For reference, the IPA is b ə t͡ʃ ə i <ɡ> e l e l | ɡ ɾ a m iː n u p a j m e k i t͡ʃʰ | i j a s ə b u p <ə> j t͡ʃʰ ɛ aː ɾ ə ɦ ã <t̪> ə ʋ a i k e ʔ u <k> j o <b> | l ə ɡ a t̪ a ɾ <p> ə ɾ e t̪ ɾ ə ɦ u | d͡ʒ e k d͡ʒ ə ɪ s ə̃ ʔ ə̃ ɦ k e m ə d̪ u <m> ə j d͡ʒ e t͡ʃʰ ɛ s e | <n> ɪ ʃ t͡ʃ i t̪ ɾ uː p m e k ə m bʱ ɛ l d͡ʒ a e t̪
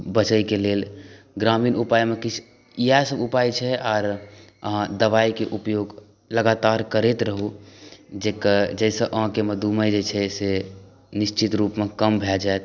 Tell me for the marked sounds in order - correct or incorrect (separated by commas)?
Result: incorrect, incorrect, incorrect, incorrect, incorrect, incorrect, correct, correct